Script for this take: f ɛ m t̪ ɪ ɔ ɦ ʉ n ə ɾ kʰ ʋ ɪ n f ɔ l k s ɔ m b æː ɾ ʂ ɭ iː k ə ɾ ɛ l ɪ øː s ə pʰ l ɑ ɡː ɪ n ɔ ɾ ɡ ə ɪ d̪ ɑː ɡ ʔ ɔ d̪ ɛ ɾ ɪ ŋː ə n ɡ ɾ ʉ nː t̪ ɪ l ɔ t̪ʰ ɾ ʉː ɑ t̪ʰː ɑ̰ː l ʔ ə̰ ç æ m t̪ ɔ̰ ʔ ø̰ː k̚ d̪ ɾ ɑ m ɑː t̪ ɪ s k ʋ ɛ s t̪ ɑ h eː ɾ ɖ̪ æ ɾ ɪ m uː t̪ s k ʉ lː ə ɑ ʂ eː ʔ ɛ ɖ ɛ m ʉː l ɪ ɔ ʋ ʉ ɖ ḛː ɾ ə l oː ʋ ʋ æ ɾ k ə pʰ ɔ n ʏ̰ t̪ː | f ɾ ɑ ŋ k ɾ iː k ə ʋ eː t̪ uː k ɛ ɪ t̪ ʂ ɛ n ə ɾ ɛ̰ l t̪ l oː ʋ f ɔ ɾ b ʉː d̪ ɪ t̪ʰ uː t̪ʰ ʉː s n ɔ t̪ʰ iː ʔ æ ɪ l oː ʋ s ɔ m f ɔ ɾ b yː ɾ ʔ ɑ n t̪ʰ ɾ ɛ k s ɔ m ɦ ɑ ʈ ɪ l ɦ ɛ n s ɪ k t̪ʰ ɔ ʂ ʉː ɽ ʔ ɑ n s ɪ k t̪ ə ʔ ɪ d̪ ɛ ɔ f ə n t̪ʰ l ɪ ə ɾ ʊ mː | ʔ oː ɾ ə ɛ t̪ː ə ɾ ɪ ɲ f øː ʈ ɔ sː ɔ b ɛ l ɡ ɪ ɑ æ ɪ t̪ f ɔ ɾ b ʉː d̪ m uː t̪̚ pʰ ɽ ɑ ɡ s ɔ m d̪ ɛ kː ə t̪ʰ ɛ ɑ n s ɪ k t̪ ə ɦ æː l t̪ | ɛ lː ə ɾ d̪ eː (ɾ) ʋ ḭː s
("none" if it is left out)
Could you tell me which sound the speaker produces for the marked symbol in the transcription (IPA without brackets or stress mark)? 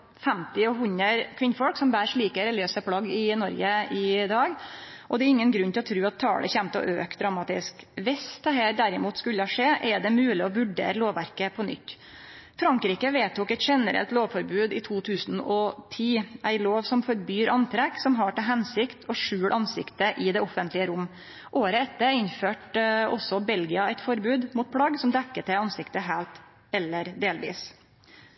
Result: l